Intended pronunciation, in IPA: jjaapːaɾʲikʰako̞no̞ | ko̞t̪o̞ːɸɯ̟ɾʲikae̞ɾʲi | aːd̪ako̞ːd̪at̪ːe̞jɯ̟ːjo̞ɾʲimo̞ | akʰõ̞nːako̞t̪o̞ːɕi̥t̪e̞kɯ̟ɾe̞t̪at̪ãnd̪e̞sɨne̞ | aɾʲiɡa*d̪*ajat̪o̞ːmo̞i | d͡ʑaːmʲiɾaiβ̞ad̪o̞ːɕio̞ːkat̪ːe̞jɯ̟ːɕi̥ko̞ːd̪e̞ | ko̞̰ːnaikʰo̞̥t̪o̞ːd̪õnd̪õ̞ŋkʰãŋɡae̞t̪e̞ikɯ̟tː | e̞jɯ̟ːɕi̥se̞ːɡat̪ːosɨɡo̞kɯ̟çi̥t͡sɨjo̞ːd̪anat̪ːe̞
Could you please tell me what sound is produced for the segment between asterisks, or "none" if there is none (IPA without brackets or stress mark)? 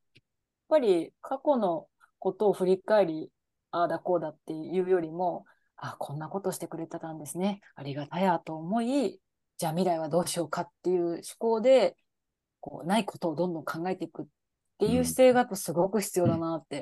t̪